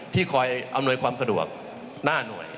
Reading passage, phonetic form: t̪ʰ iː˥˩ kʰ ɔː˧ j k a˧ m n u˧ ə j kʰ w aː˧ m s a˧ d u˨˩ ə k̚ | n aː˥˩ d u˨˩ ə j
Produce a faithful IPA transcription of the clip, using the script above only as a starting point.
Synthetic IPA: t̪ʰ iː˥˩ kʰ ɔː˧ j ʔ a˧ m n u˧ ə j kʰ w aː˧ m s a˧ d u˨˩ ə k̚ | n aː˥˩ n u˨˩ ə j

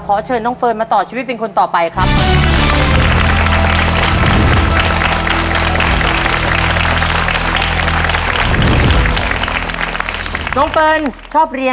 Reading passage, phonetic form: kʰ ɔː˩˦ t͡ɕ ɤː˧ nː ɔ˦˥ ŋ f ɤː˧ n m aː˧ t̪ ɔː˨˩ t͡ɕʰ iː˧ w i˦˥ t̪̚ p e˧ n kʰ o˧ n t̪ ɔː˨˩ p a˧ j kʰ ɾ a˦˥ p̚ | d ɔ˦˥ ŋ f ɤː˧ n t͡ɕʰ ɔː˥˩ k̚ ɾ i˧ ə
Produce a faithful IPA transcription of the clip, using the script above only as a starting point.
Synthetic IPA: kʰ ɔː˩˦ t͡ɕʰ ɤː˧ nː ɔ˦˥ ŋ f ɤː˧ n m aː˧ t̪ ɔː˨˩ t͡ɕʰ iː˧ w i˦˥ t̪̚ p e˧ n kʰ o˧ n t̪ ɔː˨˩ p a˧ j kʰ ɾ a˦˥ p̚ | n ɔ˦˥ ŋ f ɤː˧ n t͡ɕʰ ɔː˥˩ p̚ ɾ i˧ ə

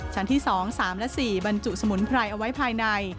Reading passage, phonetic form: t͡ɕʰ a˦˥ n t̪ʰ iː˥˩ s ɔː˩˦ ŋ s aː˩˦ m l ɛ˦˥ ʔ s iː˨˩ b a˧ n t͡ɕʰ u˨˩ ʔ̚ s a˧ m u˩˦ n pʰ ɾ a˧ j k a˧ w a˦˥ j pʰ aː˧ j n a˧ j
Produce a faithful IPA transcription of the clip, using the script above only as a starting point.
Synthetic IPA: t͡ɕʰ a˦˥ n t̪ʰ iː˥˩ s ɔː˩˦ ŋ s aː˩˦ m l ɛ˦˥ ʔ s iː˨˩ b a˧ n t͡ɕ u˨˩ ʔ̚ s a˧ m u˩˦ n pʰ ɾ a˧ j ʔ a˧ w a˦˥ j pʰ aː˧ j n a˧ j

